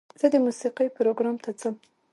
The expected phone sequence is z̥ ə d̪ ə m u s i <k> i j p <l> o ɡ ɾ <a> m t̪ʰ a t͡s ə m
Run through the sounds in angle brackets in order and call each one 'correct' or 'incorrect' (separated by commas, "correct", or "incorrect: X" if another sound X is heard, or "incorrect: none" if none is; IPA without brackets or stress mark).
incorrect: q, incorrect: ɾ, incorrect: ɑ